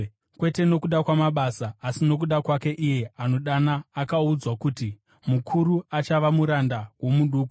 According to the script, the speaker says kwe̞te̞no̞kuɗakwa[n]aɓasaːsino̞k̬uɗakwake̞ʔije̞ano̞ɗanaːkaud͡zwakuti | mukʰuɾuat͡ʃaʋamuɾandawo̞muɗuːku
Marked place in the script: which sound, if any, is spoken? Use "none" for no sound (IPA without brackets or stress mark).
m